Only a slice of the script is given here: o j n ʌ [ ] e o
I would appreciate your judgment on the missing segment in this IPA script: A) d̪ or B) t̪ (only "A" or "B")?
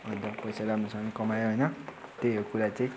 B